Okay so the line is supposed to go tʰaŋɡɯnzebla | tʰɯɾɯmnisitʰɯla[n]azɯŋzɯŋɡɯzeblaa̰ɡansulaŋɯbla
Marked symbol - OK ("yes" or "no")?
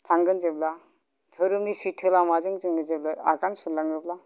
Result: no